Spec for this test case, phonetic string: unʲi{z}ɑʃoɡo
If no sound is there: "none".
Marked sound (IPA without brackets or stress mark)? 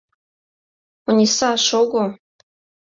s